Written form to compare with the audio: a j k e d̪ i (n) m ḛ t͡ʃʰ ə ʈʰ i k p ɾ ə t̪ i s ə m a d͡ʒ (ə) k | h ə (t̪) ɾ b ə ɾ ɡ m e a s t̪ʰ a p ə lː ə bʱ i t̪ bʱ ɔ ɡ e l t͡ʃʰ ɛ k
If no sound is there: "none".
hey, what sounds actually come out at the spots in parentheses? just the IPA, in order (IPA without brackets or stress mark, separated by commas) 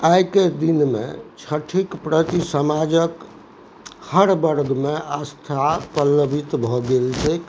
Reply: n, ə, none